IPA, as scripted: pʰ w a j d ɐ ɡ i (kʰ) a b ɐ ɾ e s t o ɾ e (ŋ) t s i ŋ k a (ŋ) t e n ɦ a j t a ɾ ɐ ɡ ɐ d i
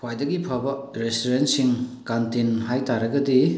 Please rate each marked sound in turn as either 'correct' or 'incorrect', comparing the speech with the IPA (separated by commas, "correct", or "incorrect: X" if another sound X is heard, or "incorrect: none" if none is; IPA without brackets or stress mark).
incorrect: pʰ, incorrect: n, incorrect: n